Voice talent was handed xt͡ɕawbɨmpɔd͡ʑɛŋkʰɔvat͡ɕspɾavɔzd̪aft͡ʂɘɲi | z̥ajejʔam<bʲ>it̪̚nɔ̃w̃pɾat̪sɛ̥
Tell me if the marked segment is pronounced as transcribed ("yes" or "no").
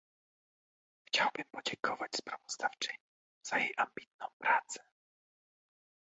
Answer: yes